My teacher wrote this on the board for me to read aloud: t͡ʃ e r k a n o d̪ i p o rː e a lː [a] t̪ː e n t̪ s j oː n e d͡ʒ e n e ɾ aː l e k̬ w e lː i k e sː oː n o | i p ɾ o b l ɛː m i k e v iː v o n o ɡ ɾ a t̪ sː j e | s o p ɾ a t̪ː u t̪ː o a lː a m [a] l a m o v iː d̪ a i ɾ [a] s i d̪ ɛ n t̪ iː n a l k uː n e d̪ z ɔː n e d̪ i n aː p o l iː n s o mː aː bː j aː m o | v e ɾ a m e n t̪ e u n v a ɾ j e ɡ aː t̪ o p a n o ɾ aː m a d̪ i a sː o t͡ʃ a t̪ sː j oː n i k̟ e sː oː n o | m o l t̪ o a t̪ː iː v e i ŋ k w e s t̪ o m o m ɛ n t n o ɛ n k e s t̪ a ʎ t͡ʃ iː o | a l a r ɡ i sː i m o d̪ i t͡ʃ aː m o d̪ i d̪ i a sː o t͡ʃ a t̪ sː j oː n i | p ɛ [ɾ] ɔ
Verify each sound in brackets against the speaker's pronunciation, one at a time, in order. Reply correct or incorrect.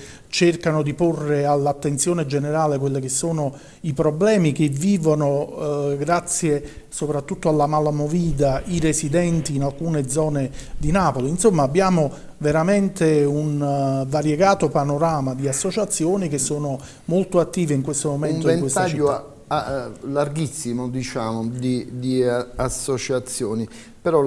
correct, correct, incorrect: e, correct

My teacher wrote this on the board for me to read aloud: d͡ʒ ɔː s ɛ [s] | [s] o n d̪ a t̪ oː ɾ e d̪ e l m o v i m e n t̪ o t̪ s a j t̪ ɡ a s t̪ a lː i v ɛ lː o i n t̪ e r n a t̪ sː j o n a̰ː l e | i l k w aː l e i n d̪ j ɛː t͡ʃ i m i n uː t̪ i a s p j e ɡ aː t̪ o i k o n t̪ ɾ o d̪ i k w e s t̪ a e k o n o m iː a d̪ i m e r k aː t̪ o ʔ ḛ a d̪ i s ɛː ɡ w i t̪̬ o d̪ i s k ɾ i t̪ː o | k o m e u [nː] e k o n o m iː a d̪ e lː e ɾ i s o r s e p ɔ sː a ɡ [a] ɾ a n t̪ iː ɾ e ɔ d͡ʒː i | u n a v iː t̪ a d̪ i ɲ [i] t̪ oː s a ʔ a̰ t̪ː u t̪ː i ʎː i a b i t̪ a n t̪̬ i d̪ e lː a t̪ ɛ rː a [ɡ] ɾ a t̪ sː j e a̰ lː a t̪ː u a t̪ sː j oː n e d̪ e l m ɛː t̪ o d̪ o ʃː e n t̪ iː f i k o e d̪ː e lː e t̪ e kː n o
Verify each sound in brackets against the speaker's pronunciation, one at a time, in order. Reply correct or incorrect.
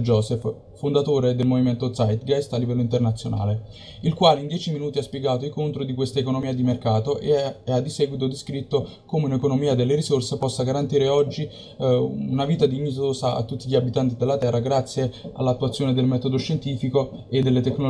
incorrect: f, incorrect: f, incorrect: n, correct, correct, correct

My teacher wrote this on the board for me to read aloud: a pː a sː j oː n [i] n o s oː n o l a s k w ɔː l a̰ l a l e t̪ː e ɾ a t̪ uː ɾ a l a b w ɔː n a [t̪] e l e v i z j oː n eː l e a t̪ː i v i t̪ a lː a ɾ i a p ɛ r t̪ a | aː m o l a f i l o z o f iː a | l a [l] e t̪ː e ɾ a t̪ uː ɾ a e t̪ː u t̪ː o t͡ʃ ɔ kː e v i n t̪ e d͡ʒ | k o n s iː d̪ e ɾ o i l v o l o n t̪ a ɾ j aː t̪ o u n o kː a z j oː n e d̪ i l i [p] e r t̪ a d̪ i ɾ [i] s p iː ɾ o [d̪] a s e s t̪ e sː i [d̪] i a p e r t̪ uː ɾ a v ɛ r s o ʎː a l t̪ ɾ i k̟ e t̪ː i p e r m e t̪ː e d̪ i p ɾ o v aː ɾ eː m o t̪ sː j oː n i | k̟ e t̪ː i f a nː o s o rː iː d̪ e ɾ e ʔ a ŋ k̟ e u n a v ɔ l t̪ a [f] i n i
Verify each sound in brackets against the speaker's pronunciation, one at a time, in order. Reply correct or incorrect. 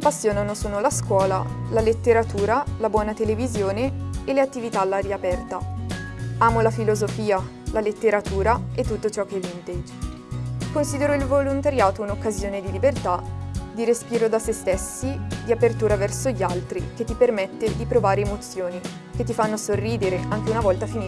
incorrect: a, correct, correct, incorrect: b, incorrect: e, correct, correct, correct

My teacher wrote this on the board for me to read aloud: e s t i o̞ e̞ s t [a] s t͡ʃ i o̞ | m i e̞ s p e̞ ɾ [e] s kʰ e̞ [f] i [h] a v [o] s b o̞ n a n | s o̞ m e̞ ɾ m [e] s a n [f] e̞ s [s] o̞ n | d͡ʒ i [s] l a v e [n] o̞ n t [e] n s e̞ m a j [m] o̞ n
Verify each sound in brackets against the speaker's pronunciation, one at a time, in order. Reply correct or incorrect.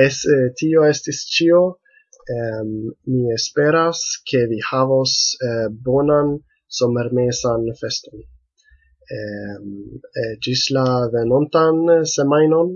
incorrect: i, incorrect: a, incorrect: v, correct, correct, correct, correct, incorrect: t, correct, correct, incorrect: a, incorrect: n

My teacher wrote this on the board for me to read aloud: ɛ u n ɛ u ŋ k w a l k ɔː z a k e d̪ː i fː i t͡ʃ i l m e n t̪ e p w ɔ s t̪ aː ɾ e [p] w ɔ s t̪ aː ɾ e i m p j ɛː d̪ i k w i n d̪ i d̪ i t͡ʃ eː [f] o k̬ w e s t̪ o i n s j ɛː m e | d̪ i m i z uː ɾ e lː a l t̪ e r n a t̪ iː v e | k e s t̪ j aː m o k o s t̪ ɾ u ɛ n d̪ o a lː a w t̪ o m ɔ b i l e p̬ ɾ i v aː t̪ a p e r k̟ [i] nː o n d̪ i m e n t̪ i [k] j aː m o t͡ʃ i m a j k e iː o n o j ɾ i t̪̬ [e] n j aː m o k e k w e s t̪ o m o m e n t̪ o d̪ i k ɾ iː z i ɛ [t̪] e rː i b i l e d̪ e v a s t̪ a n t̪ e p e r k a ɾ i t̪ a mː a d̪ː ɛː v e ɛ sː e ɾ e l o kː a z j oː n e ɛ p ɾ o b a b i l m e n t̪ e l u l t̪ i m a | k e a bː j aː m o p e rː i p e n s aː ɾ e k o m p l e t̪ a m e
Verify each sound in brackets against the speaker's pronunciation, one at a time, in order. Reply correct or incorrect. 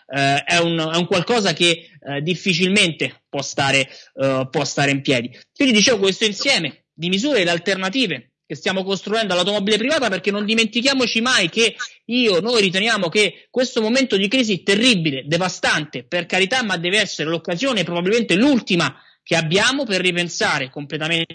correct, incorrect: v, incorrect: e, correct, correct, correct

